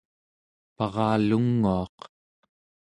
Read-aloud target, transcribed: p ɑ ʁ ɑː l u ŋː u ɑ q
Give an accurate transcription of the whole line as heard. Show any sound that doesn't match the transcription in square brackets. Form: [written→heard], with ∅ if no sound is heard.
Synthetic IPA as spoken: p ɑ ʁ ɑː l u ŋː u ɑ q